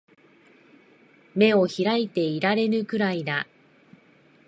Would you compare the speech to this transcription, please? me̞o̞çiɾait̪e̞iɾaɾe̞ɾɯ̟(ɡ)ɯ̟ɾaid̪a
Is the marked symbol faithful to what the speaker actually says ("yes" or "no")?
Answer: no